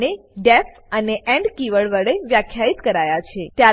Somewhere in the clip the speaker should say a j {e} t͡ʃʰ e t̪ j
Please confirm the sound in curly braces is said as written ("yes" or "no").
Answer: no